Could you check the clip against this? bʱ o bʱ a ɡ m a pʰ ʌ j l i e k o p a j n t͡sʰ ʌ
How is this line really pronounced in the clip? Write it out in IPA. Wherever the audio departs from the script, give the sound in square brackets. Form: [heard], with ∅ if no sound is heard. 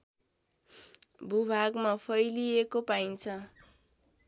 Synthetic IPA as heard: bʱ [u] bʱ a ɡ m a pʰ ʌ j l i e k o p a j n t͡sʰ ʌ